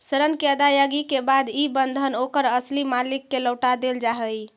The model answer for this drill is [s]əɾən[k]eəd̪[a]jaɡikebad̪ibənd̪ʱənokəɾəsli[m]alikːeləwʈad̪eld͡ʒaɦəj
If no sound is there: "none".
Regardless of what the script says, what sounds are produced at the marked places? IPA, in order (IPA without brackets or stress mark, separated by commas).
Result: s, k, a, m